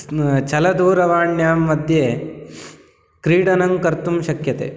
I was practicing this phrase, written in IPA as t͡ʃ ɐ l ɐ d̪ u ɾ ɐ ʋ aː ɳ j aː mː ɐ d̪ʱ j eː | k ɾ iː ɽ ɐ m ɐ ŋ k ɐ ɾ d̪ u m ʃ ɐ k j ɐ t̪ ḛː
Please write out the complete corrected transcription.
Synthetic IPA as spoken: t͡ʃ ɐ l ɐ d̪ uː ɾ ɐ ʋ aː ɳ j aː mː ɐ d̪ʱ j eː | k ɾ iː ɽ ɐ n ɐ ŋ k ɐ ɾ t̪ u m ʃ ɐ k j ɐ t̪ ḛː